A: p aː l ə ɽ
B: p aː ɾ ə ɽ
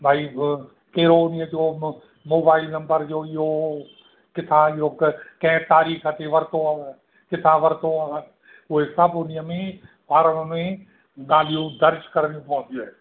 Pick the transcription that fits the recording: B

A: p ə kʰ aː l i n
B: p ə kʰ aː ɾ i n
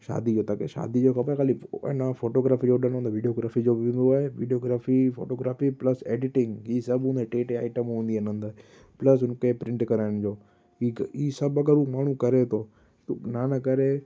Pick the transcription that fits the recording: A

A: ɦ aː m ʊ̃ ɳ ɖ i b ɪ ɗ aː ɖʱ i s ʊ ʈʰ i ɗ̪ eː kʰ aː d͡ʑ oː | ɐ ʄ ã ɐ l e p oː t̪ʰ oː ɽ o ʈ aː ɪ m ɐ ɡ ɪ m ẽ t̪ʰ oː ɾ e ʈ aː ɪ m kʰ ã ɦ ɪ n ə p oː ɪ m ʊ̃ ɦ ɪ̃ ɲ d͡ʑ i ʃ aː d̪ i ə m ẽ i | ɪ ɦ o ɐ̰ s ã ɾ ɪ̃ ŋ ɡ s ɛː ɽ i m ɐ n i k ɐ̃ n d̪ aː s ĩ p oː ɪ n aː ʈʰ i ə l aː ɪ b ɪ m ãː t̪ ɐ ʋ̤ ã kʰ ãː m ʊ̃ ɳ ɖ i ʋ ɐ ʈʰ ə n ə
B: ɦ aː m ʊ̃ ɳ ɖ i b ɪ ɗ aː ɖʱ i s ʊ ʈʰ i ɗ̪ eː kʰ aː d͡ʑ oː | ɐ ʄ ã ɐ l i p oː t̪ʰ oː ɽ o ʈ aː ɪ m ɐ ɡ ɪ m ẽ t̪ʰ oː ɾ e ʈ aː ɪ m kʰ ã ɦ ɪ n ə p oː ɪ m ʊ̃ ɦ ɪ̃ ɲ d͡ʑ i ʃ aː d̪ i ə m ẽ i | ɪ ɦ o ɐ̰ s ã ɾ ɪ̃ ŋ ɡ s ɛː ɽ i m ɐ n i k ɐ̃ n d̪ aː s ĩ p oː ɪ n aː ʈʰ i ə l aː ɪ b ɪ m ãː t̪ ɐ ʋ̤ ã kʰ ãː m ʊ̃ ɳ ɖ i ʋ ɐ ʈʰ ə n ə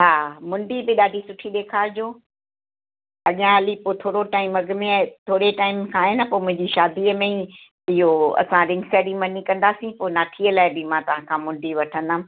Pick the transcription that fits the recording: B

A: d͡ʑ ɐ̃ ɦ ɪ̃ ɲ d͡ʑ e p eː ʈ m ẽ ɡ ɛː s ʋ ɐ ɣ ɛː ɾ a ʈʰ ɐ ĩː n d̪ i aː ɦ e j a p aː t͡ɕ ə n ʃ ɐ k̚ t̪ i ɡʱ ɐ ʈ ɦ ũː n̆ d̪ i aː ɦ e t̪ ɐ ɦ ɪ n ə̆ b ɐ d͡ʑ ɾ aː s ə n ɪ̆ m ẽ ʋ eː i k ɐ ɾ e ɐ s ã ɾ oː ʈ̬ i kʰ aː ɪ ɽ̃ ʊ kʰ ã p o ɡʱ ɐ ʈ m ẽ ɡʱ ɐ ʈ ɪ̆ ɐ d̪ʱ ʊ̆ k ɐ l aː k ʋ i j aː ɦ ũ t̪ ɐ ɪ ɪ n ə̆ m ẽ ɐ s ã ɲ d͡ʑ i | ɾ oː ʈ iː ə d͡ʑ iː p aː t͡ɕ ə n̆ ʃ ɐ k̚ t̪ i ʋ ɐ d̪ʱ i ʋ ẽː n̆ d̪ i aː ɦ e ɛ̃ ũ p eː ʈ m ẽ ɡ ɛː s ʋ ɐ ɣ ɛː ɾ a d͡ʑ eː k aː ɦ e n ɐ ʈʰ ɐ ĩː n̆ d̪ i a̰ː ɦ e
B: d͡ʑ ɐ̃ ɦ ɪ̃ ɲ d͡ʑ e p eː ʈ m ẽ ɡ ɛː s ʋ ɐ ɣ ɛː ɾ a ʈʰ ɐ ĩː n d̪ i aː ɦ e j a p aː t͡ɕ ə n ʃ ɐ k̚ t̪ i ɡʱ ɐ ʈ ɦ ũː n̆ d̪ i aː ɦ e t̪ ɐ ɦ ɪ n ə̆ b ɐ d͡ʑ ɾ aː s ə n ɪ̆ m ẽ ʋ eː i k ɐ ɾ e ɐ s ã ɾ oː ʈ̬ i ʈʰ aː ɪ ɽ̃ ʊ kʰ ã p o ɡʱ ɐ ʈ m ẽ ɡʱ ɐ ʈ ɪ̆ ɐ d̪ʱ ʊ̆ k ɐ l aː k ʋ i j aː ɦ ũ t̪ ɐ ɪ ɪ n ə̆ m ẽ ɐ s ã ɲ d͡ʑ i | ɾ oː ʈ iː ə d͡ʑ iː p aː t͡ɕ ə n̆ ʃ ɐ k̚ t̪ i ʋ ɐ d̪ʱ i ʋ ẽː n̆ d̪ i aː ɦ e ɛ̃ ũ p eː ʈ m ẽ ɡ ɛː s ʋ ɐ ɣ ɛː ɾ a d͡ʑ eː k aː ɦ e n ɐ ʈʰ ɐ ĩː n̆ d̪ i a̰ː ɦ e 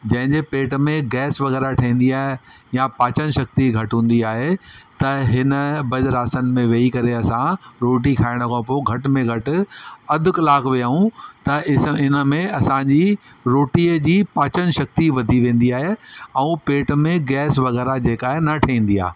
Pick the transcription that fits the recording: A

